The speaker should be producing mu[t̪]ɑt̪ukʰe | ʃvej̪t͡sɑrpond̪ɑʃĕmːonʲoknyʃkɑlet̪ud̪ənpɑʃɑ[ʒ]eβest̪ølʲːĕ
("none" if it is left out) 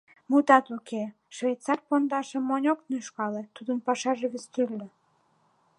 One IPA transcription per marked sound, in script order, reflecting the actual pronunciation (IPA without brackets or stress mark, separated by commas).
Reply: t̪, ʒ